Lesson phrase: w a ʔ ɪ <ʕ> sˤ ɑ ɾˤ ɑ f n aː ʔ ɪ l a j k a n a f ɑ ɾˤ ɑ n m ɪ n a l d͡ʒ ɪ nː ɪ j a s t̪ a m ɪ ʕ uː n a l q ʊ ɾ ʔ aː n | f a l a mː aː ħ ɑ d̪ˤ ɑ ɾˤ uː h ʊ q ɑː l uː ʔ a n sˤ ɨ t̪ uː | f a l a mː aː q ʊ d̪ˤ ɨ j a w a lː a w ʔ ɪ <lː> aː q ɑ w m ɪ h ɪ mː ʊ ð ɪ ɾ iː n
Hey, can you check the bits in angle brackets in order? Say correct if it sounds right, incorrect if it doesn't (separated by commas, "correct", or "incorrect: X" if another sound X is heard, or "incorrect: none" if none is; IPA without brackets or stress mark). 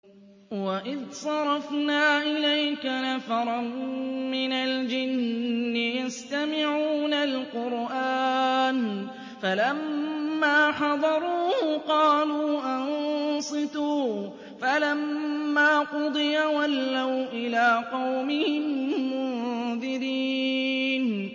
incorrect: ð, incorrect: l